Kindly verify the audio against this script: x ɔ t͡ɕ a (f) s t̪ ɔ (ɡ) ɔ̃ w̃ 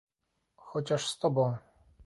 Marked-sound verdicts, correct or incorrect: incorrect: ʂ, incorrect: b

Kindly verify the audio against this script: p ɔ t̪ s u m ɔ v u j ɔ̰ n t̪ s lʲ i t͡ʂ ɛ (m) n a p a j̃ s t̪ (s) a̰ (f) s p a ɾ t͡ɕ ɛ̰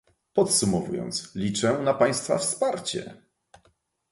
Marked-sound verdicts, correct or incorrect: incorrect: none, incorrect: f, correct

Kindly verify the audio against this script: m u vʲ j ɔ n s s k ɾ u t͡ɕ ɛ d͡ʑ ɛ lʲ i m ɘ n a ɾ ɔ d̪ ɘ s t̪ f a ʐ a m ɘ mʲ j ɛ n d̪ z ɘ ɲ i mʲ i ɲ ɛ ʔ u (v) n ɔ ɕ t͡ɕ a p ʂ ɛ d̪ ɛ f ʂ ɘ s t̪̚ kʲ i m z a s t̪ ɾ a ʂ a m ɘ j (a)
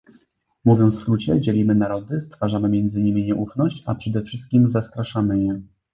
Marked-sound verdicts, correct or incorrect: incorrect: f, incorrect: ɛ

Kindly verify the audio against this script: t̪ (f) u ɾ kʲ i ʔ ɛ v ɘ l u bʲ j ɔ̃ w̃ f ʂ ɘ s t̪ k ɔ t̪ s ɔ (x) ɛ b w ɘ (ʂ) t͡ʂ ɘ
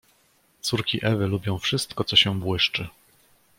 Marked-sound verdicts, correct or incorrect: incorrect: s, incorrect: ɕ, correct

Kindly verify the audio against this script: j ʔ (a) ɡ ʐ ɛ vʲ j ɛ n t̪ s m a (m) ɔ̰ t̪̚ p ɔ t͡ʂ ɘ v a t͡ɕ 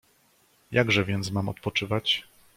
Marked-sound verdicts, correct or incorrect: correct, correct

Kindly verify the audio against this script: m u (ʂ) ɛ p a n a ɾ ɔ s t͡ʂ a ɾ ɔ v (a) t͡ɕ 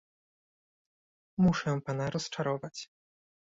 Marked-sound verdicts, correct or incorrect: correct, correct

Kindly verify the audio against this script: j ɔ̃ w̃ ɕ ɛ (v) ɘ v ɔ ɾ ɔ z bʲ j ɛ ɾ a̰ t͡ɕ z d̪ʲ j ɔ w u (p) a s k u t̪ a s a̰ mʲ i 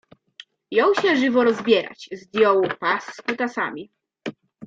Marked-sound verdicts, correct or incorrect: incorrect: ʐ, correct

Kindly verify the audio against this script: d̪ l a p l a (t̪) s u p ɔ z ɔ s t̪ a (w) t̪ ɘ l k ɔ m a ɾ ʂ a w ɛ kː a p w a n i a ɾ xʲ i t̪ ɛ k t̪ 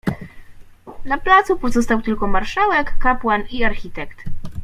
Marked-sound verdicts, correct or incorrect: correct, correct

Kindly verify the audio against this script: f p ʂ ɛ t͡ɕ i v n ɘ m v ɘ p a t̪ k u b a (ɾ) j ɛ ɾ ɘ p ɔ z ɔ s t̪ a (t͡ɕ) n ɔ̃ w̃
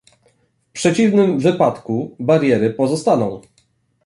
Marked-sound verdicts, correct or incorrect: correct, incorrect: none

